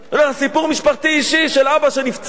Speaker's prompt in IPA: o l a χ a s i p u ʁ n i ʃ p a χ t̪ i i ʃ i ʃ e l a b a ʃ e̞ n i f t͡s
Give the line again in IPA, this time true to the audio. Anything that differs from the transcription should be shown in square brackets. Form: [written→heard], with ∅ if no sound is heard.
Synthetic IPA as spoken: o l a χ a s i p u ʁ [n→m] i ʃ p a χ t̪ i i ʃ i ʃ e l a b a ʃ e̞ n i f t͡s